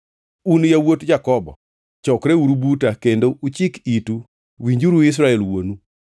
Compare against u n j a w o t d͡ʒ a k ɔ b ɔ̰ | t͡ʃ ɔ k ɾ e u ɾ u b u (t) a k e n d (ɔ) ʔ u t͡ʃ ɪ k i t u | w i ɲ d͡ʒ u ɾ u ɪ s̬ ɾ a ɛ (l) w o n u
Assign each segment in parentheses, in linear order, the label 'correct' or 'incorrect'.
correct, incorrect: o, correct

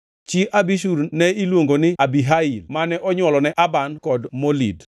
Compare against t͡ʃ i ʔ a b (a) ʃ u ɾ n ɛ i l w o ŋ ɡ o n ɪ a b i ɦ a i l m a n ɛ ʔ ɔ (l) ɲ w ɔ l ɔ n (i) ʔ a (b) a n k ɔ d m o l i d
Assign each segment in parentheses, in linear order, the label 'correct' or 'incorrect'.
incorrect: i, incorrect: none, incorrect: ɛ, correct

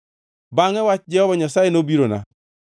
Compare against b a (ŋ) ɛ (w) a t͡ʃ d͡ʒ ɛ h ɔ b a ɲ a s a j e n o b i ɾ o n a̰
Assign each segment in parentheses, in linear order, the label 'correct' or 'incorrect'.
correct, correct

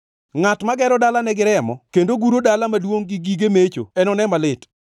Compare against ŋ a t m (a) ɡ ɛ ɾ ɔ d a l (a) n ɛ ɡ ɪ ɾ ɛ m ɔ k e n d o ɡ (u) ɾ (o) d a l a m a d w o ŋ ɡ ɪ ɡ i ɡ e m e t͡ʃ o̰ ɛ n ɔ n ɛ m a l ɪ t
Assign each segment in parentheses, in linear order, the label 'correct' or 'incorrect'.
correct, correct, correct, correct

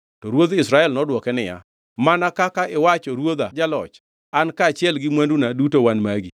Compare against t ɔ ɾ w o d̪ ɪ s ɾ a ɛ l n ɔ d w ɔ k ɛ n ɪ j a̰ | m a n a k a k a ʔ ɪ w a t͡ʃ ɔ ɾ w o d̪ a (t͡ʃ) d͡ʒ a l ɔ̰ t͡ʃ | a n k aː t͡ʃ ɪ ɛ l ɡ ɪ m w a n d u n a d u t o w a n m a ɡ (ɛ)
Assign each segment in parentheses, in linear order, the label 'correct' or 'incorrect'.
incorrect: none, incorrect: i

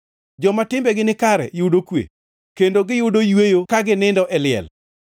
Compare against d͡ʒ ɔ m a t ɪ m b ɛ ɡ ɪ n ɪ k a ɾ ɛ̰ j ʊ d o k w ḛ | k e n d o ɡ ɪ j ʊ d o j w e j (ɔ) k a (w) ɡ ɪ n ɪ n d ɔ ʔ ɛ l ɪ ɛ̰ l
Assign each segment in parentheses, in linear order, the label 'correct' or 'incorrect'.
incorrect: o, incorrect: none

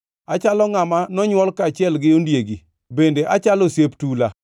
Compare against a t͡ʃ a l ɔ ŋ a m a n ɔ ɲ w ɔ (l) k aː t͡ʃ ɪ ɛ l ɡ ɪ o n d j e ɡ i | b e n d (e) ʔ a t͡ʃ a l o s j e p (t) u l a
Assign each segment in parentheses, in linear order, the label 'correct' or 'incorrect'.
correct, correct, correct

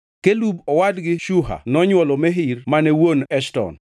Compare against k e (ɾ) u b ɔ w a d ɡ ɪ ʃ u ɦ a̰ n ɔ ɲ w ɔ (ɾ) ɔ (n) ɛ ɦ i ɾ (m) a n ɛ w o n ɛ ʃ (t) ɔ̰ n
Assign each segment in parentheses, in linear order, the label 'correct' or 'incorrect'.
incorrect: l, incorrect: l, incorrect: m, correct, correct

